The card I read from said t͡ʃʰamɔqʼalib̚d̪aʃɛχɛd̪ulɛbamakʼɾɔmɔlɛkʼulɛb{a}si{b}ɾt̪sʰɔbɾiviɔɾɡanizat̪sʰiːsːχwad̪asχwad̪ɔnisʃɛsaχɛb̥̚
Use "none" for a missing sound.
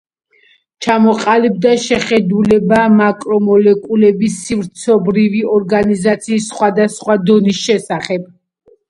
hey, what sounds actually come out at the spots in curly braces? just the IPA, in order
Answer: i, v

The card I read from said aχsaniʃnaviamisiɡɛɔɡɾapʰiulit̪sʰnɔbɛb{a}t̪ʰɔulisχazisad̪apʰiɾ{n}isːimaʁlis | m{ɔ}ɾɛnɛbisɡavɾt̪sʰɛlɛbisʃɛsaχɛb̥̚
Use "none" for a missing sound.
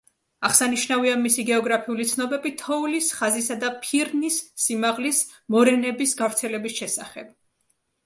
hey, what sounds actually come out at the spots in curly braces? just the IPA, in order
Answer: i, n, ɔ

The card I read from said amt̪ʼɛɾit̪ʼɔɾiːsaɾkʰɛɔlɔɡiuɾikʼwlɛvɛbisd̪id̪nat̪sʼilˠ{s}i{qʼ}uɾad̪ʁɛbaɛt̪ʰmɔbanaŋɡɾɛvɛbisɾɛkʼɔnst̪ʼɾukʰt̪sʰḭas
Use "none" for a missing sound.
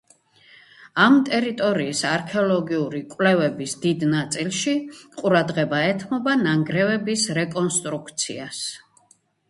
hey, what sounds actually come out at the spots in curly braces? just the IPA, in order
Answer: ʃ, qʼ

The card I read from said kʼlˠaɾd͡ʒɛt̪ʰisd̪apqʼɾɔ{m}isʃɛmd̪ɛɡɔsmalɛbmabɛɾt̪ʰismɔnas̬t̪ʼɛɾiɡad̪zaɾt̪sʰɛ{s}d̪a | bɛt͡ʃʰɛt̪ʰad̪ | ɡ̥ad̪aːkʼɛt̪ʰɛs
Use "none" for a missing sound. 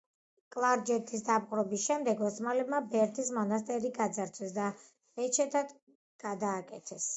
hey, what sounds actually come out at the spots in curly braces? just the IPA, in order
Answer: b, s

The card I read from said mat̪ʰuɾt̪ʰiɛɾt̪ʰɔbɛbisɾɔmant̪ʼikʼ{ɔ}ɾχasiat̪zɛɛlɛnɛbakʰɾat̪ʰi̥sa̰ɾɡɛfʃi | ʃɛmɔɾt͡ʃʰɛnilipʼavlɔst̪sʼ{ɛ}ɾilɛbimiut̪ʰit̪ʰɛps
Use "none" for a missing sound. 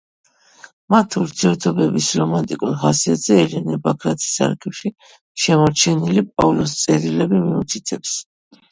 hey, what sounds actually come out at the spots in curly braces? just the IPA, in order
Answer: u, ɛ

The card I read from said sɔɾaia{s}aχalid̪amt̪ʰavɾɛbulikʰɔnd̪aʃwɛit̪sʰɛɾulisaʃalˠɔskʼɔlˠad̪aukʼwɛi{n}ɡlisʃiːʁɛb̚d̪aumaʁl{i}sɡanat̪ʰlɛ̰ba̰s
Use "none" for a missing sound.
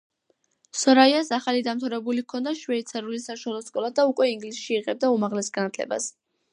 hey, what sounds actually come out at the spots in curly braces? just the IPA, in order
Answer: s, ŋ, ɛ

